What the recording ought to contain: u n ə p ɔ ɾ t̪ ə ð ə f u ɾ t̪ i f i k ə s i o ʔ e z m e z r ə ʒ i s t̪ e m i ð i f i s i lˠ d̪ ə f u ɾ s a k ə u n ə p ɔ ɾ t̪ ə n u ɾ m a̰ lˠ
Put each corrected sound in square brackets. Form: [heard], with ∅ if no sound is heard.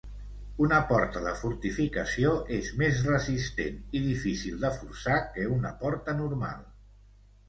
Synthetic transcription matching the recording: u n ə p ɔ ɾ t̪ ə ð ə f u ɾ t̪ i f i k ə s i o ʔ e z m e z r ə [z] i s t̪ e [n] i ð i f i s i lˠ d̪ ə f u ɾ s a k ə u n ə p ɔ ɾ t̪ ə n u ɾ m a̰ lˠ